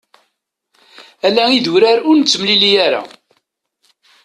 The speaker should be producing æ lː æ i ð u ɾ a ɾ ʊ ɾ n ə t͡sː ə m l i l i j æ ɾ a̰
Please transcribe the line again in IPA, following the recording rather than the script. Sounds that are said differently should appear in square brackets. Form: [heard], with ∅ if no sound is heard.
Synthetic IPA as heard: æ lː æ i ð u ɾ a ɾ ʊ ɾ n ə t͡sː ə m l i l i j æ ɾ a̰